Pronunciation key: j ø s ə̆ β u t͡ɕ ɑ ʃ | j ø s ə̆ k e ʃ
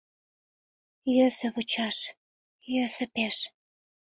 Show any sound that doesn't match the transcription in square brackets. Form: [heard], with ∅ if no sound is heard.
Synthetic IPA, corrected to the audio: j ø s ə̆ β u t͡ɕ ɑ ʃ | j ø s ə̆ [p] e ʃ